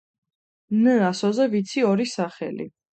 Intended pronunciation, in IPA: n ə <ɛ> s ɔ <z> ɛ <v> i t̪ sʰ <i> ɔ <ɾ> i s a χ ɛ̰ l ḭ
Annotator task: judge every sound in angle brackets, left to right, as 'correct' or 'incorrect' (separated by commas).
incorrect, correct, correct, correct, correct